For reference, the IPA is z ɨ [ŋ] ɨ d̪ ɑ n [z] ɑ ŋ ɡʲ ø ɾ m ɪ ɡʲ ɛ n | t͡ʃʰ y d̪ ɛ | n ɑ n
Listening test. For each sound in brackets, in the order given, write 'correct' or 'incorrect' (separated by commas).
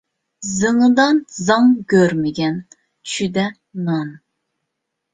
correct, correct